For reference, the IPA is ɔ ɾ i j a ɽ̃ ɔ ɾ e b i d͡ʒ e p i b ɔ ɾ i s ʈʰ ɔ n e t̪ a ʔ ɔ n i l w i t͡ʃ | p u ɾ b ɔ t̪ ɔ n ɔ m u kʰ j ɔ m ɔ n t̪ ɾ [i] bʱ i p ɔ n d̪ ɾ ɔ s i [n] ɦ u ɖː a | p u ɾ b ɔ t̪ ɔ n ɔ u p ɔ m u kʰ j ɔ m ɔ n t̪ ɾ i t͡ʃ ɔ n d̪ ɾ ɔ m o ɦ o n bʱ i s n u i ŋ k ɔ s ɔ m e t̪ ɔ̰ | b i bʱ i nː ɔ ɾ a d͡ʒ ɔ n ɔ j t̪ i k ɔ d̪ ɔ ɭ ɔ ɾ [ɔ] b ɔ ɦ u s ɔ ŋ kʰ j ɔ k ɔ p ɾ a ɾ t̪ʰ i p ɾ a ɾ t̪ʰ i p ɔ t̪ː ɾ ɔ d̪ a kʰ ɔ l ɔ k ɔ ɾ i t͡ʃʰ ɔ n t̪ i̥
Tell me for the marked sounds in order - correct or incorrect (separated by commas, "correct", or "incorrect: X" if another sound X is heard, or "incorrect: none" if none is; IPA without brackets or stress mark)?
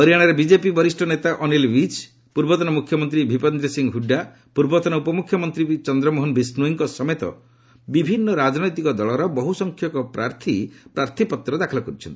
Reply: correct, incorrect: ŋ, correct